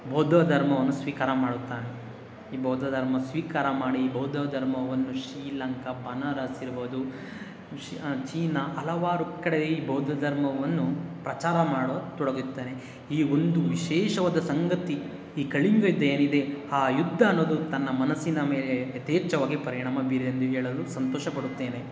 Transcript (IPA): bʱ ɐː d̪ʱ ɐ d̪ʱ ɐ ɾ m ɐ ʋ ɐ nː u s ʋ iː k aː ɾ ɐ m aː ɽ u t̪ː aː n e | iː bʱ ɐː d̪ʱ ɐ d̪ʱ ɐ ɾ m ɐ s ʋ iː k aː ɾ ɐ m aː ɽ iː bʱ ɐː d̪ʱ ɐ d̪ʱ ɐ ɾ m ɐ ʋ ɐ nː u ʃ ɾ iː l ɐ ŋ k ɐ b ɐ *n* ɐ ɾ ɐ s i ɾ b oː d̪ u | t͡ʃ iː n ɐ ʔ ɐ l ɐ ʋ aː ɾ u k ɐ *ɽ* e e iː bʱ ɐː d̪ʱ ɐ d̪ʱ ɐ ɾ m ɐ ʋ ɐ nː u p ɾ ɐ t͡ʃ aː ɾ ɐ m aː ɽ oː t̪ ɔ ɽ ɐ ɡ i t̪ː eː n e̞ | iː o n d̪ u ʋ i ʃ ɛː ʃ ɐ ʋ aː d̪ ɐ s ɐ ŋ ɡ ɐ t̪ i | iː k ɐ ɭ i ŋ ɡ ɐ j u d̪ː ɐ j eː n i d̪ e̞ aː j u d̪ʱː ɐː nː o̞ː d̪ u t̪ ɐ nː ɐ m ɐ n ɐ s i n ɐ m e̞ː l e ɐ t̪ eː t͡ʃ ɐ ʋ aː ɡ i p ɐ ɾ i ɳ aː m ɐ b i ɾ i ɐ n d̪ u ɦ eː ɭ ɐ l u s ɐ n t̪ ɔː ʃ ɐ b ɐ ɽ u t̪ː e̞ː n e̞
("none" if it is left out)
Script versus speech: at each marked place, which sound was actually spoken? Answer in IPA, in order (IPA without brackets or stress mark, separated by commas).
n, ɽ